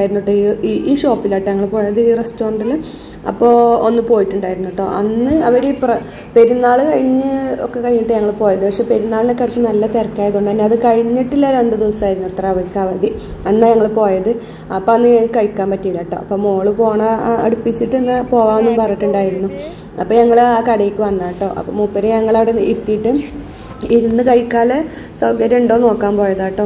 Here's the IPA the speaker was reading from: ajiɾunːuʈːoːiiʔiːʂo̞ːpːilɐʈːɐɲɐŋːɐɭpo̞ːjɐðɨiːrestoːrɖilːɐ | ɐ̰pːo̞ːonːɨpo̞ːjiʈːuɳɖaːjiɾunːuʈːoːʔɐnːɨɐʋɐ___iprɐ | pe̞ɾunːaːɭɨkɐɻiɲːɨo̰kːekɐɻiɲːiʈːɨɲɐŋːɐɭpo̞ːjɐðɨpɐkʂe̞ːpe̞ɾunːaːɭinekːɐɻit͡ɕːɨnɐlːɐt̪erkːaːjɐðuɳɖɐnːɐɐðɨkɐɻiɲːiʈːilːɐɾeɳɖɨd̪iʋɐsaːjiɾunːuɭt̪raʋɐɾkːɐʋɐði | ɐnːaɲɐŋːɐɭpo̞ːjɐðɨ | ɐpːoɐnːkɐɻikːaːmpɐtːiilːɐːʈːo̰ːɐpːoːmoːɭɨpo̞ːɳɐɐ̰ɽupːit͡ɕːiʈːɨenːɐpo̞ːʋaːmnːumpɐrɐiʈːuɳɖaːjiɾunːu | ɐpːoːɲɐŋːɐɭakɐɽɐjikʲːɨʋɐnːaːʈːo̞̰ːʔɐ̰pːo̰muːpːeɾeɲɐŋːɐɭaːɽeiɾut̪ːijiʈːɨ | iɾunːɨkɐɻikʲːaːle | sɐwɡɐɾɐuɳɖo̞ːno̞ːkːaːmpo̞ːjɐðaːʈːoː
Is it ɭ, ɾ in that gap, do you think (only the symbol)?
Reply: ɾ